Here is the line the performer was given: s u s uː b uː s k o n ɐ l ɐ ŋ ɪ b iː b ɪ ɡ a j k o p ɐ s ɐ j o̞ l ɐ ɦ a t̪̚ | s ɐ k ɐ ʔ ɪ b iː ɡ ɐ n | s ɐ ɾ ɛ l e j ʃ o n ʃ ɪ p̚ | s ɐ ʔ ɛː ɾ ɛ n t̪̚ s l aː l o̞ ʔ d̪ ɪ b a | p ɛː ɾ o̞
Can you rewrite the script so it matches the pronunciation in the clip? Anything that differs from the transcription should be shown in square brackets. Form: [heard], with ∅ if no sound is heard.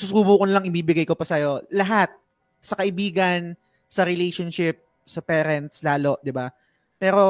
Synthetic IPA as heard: s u s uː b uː [∅] k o n ɐ l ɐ ŋ ɪ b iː b ɪ ɡ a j k o p ɐ s ɐ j o̞ l ɐ ɦ a t̪̚ | s ɐ k ɐ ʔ ɪ b iː ɡ ɐ n | s ɐ ɾ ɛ l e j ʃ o n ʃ ɪ p̚ | s ɐ [p] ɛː ɾ ɛ n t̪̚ s l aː l o̞ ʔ d̪ ɪ b a | p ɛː ɾ o̞